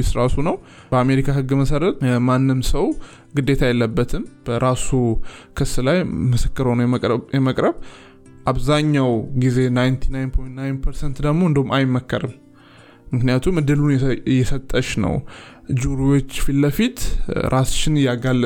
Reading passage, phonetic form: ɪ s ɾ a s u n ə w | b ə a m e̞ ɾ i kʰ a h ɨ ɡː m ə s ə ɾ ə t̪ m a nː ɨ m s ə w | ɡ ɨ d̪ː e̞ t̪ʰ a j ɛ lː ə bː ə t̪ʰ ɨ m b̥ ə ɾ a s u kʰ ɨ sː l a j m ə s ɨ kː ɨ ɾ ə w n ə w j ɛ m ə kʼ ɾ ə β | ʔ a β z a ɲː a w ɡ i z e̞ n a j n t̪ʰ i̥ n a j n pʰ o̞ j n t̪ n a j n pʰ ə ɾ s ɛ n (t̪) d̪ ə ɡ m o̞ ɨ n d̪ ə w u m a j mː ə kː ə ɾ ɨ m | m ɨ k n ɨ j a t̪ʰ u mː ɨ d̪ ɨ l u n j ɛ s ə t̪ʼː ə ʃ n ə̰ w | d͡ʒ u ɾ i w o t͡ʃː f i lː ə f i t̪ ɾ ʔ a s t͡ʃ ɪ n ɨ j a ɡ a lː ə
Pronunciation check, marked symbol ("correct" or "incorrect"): correct